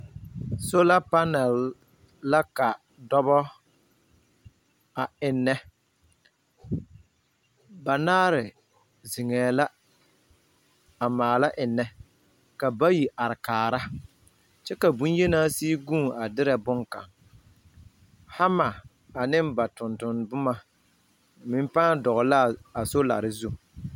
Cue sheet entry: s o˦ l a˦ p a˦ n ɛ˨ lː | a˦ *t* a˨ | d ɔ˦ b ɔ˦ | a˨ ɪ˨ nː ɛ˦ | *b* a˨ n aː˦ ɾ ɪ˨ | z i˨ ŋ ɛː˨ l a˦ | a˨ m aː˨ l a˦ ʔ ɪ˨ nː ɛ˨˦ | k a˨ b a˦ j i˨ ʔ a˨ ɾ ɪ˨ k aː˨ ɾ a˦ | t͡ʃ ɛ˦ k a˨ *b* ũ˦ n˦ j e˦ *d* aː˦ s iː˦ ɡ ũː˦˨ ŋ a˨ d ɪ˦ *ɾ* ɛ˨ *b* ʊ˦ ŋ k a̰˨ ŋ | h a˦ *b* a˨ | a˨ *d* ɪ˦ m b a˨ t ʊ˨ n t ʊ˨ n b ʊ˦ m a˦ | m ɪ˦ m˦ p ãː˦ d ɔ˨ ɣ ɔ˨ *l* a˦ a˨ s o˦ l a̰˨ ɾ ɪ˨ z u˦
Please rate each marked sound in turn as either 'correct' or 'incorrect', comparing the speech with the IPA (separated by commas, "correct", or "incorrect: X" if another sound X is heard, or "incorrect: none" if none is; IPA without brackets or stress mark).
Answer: incorrect: k, correct, correct, incorrect: n, correct, correct, incorrect: m, incorrect: n, correct